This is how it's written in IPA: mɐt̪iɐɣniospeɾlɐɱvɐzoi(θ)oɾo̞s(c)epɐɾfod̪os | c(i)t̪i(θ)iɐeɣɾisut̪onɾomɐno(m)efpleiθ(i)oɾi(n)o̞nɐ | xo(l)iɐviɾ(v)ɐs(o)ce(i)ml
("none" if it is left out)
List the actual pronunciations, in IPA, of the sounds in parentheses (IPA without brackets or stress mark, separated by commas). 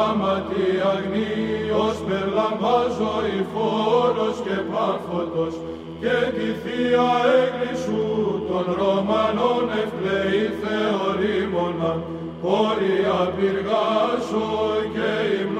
f, c, e, θ, n, e, m, ɾ, ɣ, o, i